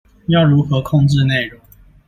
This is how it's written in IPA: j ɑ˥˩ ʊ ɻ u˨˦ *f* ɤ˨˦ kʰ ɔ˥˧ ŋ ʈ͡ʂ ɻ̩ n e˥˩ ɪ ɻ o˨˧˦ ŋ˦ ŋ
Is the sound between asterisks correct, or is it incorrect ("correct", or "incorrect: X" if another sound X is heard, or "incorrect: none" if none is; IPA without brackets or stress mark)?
incorrect: x